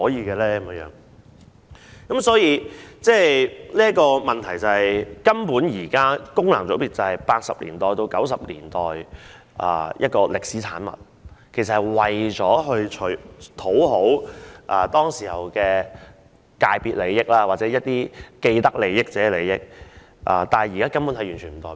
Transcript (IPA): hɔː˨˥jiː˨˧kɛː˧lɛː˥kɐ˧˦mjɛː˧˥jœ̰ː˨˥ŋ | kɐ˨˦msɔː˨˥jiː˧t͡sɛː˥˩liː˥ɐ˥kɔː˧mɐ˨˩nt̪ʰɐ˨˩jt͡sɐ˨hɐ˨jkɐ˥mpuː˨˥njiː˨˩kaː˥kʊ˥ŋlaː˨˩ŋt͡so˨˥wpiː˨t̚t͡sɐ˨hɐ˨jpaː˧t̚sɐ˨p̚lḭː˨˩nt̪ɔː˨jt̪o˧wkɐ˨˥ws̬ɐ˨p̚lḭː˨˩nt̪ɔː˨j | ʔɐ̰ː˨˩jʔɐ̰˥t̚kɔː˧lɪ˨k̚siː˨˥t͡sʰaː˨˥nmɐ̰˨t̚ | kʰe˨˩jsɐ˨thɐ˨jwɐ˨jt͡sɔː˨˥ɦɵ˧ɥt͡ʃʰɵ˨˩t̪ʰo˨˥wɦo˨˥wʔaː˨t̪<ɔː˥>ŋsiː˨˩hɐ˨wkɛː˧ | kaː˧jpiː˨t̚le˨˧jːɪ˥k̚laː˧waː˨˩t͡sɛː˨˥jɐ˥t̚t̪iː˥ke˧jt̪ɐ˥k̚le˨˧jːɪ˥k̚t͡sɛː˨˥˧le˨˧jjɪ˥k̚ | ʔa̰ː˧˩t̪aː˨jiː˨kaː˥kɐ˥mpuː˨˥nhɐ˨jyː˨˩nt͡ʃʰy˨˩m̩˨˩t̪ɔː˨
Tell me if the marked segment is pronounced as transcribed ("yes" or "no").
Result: yes